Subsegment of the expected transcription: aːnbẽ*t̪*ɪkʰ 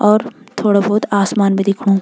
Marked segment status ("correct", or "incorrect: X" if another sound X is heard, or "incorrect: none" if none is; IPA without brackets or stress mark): incorrect: d̪